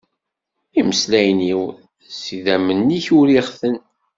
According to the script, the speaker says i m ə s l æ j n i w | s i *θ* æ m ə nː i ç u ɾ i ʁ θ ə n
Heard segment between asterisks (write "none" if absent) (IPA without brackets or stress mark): ð